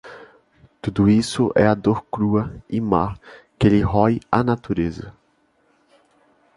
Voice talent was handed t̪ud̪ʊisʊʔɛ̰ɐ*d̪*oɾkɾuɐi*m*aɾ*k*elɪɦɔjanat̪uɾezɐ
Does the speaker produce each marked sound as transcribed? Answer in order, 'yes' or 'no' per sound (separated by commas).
yes, yes, yes